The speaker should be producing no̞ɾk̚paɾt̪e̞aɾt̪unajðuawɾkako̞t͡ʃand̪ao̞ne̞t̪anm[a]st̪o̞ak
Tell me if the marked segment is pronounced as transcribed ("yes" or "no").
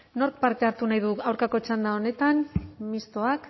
no